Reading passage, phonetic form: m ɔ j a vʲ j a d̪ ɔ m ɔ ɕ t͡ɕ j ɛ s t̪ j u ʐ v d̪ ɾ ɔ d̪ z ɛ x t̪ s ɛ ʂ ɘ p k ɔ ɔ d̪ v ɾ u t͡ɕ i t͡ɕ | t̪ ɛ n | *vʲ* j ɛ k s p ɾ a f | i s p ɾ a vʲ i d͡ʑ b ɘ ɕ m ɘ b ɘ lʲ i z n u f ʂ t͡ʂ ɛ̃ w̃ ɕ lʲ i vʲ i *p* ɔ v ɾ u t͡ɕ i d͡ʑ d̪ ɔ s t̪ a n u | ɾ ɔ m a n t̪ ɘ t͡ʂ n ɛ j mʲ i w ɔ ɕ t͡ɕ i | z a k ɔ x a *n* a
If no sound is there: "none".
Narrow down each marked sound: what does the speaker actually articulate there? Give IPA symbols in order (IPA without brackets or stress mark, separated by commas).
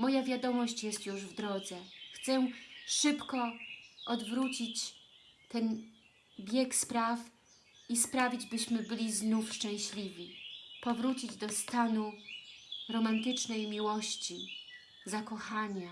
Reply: bʲ, p, ɲ